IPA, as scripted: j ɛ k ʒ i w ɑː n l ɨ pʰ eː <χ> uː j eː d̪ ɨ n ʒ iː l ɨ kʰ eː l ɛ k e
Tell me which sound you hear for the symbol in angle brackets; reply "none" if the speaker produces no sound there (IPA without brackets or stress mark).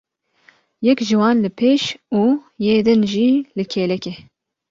ʃ